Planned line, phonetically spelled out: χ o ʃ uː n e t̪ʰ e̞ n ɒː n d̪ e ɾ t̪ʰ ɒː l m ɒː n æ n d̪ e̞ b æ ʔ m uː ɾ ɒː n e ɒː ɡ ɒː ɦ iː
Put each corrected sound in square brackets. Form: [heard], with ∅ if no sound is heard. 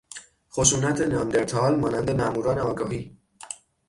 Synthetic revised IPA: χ o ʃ uː n [æ] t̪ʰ e̞ n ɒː n d̪ e ɾ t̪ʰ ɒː l m ɒː n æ n d̪ e̞ [m] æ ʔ m uː ɾ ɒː n e ɒː ɡ ɒː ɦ iː